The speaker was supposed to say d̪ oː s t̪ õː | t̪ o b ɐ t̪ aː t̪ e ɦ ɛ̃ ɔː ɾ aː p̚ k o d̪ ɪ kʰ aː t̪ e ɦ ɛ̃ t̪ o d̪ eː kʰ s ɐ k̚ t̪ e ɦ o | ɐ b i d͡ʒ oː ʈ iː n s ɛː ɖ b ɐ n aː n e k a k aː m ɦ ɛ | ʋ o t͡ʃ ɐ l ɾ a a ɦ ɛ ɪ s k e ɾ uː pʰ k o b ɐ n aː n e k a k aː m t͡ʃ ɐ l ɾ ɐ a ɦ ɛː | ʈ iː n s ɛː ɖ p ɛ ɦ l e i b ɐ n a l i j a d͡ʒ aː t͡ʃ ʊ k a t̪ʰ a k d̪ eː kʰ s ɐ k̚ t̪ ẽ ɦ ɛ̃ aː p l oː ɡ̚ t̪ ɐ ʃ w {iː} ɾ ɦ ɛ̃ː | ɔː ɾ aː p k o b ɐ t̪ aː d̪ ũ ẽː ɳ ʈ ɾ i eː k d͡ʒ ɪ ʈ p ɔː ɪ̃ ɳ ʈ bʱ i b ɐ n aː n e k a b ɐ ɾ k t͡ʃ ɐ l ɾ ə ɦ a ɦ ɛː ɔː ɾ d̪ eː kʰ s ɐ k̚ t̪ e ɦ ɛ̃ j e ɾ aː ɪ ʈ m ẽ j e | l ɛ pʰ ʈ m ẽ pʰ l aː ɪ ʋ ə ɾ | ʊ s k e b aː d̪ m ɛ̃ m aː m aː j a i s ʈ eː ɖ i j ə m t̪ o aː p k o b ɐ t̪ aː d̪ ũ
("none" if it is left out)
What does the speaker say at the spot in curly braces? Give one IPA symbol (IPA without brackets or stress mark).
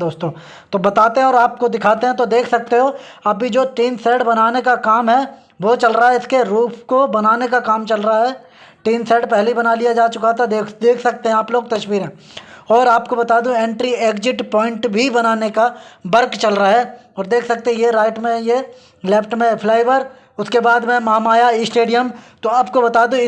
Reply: iː